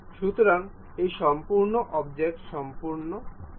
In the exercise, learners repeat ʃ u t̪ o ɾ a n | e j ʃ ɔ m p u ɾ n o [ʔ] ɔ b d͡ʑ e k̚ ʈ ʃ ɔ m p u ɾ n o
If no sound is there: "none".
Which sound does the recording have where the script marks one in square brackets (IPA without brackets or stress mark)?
ʔ